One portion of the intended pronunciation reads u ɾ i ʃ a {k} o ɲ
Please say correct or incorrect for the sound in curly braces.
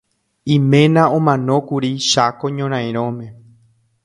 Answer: correct